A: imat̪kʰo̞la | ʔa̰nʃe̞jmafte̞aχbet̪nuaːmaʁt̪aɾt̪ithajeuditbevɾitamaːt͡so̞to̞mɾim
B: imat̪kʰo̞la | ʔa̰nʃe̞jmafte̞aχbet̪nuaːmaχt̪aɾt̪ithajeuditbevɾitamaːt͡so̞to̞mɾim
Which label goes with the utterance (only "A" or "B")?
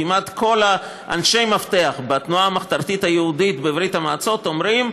B